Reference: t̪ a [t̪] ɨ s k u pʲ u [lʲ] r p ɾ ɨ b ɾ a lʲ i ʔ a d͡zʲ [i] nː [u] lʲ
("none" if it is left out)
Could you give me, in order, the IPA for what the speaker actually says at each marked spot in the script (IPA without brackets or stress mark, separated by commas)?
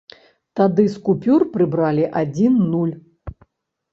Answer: d̪, none, i, u